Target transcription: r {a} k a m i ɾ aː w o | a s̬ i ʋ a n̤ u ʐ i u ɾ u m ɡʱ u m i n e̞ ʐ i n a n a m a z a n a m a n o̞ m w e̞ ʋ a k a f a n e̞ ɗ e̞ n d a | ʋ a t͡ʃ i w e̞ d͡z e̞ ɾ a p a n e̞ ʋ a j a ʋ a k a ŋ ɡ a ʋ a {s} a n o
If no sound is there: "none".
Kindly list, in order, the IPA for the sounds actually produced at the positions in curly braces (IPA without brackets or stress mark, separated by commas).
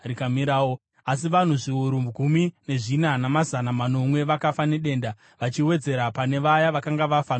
i, f